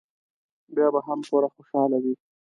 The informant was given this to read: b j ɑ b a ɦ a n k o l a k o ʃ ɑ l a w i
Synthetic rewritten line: b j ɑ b a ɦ a m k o ɾ a x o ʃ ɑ l a w i